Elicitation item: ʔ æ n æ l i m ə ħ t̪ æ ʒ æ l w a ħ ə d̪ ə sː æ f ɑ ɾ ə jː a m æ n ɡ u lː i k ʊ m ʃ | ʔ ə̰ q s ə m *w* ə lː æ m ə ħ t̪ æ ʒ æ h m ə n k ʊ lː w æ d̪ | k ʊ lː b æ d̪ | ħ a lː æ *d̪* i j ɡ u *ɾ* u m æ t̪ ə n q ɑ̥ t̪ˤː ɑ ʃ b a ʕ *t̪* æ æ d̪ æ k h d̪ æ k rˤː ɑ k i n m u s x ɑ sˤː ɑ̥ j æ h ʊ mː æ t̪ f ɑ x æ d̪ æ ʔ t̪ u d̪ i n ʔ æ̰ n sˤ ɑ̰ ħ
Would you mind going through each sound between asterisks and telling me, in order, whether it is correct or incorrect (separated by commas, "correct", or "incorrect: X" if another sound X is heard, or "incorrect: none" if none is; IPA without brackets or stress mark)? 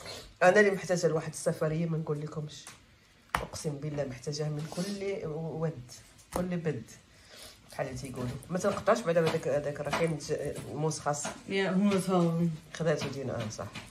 incorrect: b, incorrect: t̪, incorrect: l, incorrect: d̪